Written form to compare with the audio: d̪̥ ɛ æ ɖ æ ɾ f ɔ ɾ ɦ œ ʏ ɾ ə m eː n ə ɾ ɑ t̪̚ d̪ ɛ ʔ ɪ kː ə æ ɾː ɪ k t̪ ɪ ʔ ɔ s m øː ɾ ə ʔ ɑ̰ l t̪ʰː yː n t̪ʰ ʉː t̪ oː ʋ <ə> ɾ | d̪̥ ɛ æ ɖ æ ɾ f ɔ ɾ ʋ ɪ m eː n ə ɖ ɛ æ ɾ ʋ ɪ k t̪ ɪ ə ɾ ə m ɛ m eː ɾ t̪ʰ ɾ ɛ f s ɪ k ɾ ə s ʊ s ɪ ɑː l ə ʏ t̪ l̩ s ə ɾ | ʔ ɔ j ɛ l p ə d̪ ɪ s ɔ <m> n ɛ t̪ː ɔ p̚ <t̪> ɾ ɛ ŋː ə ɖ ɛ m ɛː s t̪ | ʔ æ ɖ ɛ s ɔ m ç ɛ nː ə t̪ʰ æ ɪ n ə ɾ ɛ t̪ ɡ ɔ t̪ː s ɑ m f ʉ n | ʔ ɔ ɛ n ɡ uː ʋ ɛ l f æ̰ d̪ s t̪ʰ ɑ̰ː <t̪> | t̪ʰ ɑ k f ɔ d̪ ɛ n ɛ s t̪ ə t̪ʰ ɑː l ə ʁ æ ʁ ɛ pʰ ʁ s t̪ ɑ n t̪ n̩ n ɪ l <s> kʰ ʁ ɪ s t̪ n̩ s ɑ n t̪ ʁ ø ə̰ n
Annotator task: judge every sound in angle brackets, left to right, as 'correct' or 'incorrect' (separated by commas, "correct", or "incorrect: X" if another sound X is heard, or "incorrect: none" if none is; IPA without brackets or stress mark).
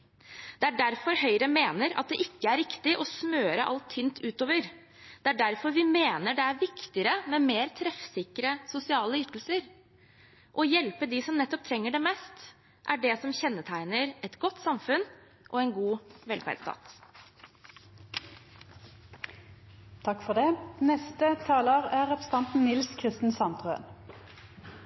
correct, correct, incorrect: t̪ʰ, correct, correct